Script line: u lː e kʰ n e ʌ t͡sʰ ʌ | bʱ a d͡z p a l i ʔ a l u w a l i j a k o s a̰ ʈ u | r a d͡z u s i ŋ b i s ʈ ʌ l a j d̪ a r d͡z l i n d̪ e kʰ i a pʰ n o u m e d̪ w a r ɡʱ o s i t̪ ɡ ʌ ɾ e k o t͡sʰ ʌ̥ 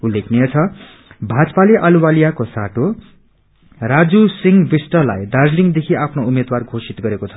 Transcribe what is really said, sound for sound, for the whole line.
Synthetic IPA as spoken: u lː e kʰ n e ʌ t͡sʰ ʌ | bʱ a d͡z p a l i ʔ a l u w a l i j a k o s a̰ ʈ o | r a d͡z u s i ŋ b i s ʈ ʌ l a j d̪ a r d͡z l i ŋ d̪ e kʰ i a pʰ n o u m e d̪ w a r ɡʱ o s i t̪ ɡ ʌ ɾ e k o t͡sʰ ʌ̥